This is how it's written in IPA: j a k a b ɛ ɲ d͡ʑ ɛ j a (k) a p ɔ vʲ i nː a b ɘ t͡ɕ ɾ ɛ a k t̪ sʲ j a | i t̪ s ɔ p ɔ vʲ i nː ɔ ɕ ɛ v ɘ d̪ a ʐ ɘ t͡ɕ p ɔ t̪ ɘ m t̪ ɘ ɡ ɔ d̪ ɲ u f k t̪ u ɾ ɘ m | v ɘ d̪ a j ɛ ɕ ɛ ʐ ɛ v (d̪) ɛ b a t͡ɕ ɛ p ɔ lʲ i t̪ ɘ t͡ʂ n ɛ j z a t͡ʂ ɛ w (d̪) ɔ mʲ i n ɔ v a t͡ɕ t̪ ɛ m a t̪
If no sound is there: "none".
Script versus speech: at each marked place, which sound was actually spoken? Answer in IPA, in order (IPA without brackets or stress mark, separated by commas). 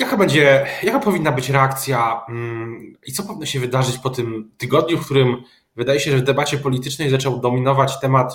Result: k, d̪, d̪